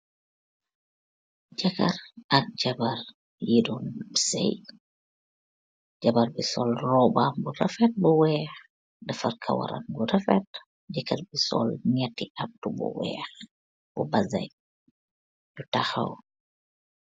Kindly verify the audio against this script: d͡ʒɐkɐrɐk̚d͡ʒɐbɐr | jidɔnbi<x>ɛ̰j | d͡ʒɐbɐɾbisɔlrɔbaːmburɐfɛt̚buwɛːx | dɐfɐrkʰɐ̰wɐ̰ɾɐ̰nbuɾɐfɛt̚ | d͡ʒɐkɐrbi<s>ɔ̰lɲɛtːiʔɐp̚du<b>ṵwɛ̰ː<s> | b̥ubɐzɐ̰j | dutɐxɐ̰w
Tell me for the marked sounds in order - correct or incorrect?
incorrect: s, correct, correct, incorrect: x

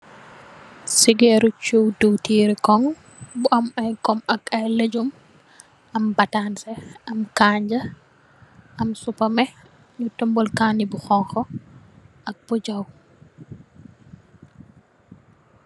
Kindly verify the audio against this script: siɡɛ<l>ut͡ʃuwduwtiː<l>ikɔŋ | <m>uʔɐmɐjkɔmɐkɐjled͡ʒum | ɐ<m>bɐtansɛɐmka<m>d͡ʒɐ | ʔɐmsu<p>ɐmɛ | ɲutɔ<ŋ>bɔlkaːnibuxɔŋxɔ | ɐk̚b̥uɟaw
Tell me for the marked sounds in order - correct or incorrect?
incorrect: ɾ, incorrect: ɾ, incorrect: b, correct, incorrect: ɲ, correct, incorrect: m

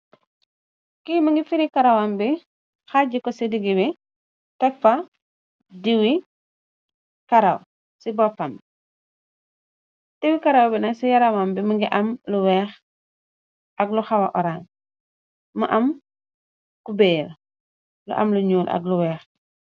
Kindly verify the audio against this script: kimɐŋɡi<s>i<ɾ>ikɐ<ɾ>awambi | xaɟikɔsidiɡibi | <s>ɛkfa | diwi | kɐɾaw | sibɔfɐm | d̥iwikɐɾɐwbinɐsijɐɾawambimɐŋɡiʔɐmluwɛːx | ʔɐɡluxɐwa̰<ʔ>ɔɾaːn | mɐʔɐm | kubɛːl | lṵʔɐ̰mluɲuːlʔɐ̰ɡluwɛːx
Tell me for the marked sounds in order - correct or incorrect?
incorrect: f, correct, correct, incorrect: t, correct

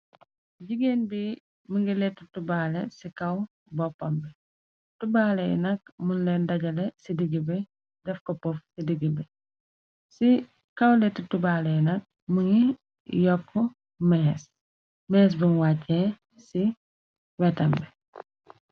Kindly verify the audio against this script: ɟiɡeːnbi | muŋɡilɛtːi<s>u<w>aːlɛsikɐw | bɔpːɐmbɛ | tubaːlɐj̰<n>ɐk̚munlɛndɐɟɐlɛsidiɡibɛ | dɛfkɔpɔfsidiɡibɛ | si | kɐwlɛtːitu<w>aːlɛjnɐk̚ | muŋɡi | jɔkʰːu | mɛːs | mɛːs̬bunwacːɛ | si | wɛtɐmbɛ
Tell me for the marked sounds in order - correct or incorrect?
incorrect: t, incorrect: b, correct, incorrect: b

